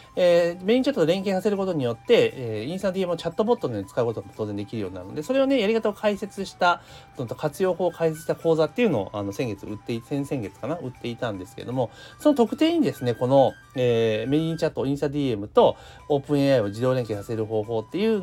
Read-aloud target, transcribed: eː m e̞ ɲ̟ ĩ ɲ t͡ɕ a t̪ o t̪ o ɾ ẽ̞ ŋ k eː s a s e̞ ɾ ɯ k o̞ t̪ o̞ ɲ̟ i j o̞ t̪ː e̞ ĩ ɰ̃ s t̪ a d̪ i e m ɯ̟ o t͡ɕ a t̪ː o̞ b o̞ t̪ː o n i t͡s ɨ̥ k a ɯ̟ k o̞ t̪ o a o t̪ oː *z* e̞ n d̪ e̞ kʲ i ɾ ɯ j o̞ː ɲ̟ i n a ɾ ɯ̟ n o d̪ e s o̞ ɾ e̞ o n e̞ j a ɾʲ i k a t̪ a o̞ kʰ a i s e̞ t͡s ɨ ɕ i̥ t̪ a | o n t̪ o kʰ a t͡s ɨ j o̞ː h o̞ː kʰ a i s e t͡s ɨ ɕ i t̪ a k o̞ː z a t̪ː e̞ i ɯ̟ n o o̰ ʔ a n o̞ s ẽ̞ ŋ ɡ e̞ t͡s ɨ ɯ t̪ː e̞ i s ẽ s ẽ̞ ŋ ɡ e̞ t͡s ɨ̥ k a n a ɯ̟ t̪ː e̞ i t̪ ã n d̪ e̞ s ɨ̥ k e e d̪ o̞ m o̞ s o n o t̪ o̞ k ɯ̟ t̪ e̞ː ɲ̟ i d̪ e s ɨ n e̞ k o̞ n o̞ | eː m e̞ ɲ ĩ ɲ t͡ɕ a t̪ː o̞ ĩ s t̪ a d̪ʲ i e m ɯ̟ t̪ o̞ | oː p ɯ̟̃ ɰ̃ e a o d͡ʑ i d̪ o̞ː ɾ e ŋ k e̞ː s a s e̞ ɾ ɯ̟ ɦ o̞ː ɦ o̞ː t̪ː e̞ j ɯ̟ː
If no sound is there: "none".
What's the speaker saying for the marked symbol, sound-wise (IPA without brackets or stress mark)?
z